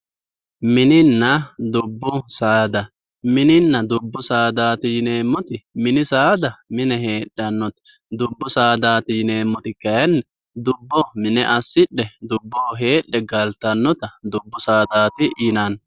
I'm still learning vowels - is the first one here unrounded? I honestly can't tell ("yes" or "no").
yes